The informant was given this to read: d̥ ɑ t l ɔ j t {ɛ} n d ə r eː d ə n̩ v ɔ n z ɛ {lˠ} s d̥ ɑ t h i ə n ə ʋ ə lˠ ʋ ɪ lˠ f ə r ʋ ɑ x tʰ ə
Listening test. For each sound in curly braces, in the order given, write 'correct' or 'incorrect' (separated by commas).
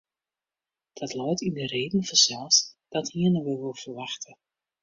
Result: incorrect, correct